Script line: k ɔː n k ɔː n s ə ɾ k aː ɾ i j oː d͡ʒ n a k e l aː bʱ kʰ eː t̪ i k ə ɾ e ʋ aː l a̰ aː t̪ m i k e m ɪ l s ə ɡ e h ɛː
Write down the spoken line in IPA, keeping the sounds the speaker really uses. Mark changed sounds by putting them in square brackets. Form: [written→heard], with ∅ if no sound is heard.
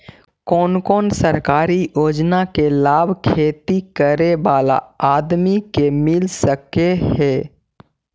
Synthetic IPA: k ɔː n k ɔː n s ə ɾ k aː ɾ i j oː d͡ʒ n a k e l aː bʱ kʰ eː t̪ i k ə ɾ e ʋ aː l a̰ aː [t̪→d̪] m i k e m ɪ l s ə [ɡ→k] e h ɛː